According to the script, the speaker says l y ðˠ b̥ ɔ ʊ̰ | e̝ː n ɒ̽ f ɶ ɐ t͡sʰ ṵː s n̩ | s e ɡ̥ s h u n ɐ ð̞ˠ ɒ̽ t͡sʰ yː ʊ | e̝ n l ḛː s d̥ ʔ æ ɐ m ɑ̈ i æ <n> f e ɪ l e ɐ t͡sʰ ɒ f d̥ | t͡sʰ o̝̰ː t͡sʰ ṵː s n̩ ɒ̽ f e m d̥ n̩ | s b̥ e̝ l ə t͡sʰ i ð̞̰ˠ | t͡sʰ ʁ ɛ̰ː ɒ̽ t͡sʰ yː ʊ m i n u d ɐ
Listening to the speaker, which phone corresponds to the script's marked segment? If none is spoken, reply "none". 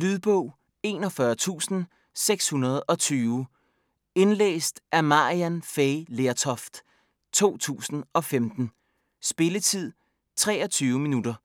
n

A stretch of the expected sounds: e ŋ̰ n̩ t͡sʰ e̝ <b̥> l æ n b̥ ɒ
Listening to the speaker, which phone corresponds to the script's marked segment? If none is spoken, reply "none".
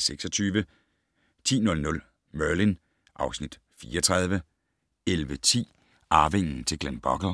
ɡ̥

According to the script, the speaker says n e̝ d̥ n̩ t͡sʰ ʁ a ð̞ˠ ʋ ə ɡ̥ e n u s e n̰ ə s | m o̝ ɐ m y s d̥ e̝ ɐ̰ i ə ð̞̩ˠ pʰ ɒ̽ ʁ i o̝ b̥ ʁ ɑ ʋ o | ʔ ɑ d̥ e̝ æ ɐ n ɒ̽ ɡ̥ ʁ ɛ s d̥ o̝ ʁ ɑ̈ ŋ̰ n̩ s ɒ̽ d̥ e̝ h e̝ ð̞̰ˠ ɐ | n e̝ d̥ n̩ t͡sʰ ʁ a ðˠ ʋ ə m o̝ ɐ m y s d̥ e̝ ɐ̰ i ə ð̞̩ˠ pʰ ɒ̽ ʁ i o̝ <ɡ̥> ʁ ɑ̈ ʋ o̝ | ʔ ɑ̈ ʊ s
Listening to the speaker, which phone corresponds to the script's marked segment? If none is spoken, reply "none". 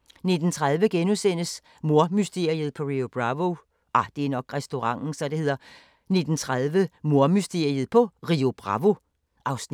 b̥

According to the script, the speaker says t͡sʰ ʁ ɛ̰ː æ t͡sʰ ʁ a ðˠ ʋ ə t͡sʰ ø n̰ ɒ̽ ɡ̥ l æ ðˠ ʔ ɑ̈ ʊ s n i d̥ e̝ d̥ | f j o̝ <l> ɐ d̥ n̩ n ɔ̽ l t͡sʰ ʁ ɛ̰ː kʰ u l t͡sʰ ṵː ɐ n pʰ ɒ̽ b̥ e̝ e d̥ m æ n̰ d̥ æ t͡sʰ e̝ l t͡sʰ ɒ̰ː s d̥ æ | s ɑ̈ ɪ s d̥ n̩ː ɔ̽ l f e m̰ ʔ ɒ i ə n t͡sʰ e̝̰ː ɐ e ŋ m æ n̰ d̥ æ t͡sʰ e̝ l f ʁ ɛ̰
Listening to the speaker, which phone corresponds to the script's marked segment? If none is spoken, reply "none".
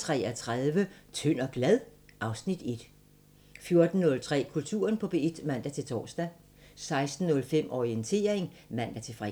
none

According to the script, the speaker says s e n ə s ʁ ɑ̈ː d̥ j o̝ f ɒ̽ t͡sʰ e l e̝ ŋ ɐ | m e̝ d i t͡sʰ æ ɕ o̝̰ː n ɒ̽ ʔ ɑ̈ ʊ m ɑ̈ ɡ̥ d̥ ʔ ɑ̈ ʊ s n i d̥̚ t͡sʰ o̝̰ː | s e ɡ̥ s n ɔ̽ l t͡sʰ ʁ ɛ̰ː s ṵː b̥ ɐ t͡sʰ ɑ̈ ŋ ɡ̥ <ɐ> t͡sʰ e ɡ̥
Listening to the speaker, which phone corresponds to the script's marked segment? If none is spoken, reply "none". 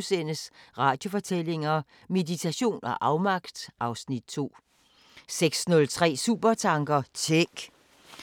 ɐ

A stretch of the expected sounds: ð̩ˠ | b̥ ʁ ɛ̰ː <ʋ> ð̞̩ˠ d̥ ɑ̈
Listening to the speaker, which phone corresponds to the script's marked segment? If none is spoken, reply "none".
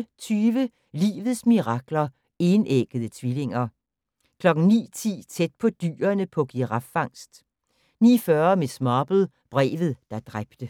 ʋ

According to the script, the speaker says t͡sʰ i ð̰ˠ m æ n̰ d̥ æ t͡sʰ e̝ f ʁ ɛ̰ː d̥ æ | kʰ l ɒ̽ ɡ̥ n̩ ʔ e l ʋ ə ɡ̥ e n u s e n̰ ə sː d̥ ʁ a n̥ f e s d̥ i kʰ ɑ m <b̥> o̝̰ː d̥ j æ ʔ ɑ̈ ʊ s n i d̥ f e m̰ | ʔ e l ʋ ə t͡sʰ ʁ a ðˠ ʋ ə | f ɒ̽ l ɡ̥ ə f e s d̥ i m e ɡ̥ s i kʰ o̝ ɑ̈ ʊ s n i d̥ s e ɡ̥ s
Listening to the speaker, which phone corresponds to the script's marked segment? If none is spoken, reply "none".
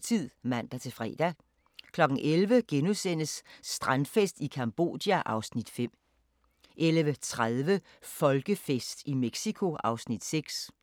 b̥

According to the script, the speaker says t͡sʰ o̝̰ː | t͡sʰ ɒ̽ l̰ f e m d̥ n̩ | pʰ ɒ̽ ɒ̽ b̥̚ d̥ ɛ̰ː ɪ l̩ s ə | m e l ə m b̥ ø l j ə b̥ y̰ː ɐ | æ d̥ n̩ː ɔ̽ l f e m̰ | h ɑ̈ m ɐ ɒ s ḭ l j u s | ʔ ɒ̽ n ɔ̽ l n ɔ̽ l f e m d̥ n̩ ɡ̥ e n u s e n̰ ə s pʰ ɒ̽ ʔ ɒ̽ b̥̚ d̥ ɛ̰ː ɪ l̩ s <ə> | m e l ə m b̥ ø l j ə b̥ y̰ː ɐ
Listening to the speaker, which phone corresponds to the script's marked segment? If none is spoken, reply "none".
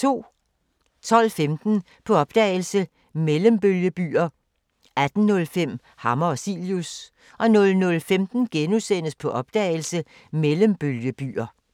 ə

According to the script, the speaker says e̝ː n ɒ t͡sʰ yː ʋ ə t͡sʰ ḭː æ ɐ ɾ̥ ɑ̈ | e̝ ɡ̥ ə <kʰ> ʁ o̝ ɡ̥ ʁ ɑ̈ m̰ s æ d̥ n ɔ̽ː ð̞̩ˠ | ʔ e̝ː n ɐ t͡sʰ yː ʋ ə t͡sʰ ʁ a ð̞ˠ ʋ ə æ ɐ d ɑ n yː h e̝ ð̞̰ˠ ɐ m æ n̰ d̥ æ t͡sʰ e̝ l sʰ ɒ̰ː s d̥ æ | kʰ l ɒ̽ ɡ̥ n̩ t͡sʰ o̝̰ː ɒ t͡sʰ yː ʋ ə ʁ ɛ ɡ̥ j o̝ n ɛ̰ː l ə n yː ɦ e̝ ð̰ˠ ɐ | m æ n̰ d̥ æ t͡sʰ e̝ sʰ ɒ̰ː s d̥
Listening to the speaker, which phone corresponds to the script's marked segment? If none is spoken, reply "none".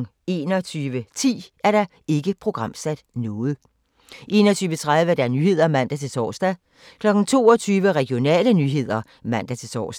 pʰ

